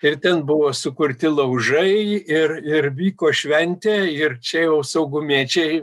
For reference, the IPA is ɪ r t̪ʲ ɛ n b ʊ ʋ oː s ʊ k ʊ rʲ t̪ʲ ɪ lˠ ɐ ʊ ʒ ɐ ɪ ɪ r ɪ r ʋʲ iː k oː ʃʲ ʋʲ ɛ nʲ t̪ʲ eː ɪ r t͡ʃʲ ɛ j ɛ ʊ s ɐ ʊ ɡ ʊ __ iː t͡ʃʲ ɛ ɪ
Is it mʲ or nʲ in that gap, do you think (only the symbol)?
mʲ